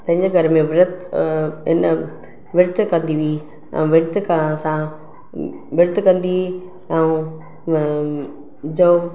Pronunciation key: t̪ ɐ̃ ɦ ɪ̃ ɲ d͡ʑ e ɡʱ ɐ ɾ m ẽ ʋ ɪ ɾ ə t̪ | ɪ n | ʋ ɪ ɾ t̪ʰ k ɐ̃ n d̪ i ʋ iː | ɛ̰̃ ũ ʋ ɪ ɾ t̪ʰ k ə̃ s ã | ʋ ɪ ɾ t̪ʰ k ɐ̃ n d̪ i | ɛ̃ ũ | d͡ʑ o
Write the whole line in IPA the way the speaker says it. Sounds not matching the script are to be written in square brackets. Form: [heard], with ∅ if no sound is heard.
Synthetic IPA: t̪ ɐ̃ ɦ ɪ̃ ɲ d͡ʑ e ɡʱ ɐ ɾ m ẽ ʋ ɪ ɾ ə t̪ | ɪ n | ʋ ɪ ɾ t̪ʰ k ɐ̃ n d̪ i ʋ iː | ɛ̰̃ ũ ʋ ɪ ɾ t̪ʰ k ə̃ s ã | ʋ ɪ ɾ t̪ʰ k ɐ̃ n d̪ i | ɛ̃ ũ | d͡ʑ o

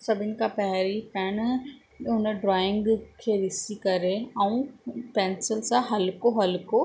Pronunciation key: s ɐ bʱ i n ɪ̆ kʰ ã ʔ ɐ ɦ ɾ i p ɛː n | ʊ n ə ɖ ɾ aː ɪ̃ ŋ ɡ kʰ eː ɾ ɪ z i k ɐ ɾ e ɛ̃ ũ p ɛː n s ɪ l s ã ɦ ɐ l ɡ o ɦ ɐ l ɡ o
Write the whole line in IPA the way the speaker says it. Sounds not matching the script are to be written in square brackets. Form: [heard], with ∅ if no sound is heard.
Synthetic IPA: s ɐ bʱ [ɪ] n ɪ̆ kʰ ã [p] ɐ ɦ ɾ i p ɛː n | ʊ n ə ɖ ɾ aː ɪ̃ ŋ ɡ kʰ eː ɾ ɪ [s] i k ɐ ɾ e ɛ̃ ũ p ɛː n s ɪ l s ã ɦ ɐ l [k] o ɦ ɐ l [k] o

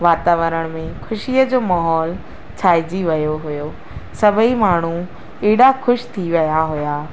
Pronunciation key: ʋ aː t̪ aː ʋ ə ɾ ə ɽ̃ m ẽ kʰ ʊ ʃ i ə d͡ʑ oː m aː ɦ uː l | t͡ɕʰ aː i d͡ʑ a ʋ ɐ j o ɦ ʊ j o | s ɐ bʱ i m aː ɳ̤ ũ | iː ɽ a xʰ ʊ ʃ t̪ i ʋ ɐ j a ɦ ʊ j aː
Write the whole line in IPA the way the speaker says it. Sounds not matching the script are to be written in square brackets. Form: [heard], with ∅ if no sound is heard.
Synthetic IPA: ʋ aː t̪ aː ʋ ə ɾ ə ɽ̃ m ẽ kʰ ʊ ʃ i ə d͡ʑ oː m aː ɦ [ɔː] l | t͡ɕʰ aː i d͡ʑ [i] ʋ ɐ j o ɦ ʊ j o | s ɐ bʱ i m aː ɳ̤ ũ | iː ɽ a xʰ ʊ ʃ [t̪ʰ] i ʋ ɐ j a ɦ ʊ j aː

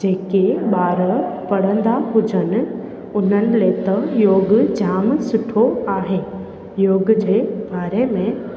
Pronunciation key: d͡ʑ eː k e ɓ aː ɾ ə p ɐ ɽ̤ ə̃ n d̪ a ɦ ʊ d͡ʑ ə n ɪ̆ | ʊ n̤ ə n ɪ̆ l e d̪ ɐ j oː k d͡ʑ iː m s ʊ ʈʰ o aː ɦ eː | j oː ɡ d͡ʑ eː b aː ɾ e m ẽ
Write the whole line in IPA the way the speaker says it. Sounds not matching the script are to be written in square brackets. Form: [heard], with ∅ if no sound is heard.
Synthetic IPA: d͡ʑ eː k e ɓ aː ɾ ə p ɐ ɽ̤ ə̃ n d̪ a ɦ ʊ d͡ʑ ə n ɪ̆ | ʊ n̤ ə n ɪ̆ l e [t̪] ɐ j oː [ɡ] d͡ʑ [aː] m s ʊ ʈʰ o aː ɦ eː | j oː ɡ d͡ʑ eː b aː ɾ e m ẽ

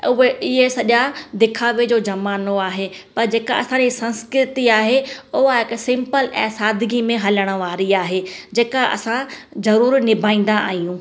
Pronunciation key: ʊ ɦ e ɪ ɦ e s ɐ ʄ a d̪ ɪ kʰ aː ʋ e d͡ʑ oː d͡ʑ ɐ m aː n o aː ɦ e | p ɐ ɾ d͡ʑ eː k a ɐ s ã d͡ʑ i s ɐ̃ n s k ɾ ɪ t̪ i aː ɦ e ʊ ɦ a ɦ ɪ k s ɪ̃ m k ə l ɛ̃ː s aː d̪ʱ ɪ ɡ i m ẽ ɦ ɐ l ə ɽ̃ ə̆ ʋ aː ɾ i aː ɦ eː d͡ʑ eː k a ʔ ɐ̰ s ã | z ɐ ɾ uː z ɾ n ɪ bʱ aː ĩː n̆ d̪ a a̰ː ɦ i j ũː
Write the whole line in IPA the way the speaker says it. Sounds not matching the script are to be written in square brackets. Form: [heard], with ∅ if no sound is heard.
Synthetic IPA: ʊ ɦ e ɪ ɦ e s ɐ ʄ a d̪ ɪ kʰ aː ʋ e d͡ʑ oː d͡ʑ ɐ m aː n o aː ɦ e | p ɐ ɾ d͡ʑ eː k a ɐ s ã d͡ʑ i s ɐ̃ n s k ɾ ɪ t̪ i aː ɦ e ʊ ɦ a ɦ ɪ k s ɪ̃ m [p] ə l ɛ̃ː s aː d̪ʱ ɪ ɡ i m ẽ ɦ ɐ l ə ɽ̃ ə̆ ʋ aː ɾ i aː ɦ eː d͡ʑ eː k a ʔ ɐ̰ s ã | z ɐ ɾ uː [∅] ɾ n ɪ bʱ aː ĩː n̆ d̪ a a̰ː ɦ i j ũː

